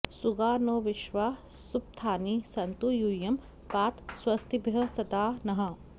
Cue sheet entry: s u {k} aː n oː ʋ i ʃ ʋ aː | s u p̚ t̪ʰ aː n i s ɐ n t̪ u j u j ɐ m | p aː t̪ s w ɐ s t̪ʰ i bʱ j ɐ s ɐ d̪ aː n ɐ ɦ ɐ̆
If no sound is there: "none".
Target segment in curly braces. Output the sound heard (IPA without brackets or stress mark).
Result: ɡ